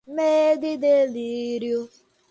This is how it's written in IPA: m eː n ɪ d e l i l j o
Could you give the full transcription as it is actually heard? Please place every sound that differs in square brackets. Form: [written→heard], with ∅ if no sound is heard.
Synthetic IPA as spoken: m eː [n→d] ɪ d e l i [l→ɾ] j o